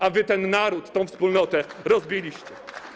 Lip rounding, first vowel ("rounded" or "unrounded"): unrounded